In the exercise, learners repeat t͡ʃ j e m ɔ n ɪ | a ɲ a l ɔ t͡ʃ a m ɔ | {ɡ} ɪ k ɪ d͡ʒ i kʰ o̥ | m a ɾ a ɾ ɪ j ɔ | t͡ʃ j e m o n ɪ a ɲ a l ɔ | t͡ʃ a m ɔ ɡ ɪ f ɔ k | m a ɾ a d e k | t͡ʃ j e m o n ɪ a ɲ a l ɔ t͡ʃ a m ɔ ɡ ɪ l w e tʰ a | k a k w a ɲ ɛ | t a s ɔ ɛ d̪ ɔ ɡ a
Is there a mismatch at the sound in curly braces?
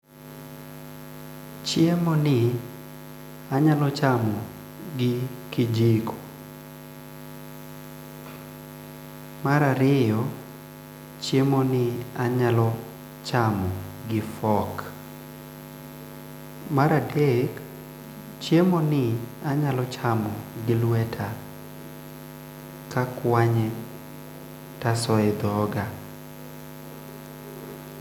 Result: no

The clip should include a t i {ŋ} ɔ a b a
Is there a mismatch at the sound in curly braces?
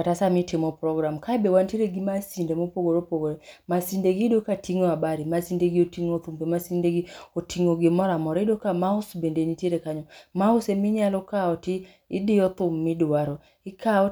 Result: no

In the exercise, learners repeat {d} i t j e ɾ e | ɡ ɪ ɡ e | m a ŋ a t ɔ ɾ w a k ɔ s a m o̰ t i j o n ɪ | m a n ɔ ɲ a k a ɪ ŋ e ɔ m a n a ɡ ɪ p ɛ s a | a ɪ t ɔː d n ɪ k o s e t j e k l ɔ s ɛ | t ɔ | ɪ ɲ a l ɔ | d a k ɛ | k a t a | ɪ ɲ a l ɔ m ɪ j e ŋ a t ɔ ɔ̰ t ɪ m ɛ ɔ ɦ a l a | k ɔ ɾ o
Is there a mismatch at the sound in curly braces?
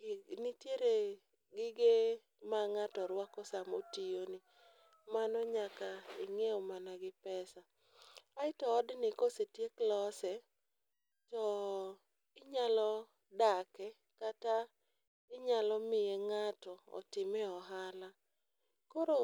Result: yes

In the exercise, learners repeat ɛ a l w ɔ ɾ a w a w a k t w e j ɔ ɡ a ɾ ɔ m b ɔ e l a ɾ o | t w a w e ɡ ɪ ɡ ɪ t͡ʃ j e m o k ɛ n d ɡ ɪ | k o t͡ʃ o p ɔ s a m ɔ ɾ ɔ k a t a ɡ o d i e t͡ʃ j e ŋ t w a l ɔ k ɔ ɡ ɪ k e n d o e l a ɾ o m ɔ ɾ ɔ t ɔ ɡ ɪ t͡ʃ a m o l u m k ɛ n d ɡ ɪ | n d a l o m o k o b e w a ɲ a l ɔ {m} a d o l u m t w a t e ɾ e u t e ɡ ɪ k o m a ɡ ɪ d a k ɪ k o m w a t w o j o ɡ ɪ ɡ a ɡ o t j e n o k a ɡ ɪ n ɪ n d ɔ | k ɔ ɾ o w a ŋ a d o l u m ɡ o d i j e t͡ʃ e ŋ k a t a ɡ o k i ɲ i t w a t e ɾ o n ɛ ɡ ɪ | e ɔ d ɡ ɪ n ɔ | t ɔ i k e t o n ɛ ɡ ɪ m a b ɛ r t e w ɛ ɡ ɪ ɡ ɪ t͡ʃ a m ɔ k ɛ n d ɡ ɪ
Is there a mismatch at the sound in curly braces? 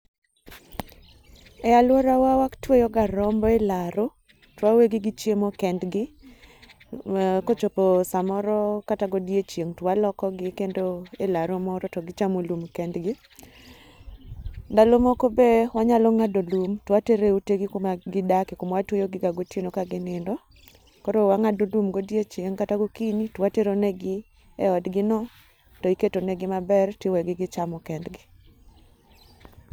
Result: yes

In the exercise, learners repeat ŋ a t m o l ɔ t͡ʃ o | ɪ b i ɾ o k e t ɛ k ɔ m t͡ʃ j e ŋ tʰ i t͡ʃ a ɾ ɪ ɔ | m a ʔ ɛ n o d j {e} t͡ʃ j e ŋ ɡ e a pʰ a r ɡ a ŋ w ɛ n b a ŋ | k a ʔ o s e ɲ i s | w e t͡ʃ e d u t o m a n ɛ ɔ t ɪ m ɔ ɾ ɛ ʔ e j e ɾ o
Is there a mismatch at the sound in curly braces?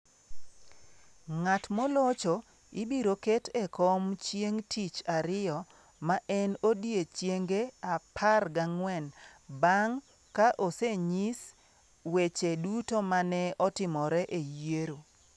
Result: no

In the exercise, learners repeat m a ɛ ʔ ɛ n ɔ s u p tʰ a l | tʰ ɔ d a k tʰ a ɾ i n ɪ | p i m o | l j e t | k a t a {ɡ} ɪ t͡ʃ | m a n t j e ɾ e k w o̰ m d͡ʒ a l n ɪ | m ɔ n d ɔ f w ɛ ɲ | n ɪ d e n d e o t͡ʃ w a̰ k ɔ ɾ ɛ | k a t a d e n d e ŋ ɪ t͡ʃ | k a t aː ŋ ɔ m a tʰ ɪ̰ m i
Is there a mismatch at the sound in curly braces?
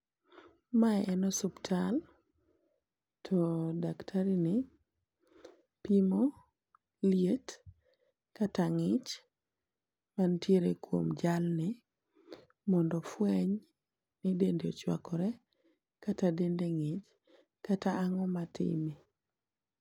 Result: yes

